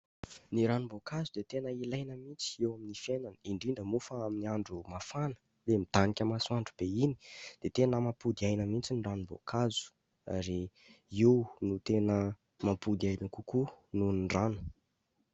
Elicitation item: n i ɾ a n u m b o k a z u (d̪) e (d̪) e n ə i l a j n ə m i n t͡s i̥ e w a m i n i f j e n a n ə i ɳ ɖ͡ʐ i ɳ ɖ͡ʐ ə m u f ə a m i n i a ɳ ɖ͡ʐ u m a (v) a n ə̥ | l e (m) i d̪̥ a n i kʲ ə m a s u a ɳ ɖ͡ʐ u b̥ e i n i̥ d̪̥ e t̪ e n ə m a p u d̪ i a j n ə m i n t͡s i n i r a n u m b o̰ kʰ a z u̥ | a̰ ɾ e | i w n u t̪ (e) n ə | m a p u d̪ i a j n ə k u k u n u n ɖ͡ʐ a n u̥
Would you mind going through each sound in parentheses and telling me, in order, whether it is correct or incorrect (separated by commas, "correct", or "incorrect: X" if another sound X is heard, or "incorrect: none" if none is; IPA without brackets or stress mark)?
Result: correct, incorrect: t̪, incorrect: f, correct, correct